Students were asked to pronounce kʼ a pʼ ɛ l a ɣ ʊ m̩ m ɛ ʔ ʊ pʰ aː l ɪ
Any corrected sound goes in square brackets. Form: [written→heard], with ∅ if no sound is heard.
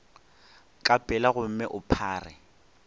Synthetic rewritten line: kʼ a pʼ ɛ l a ɣ ʊ m̩ m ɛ ʔ ʊ pʰ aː [l→r] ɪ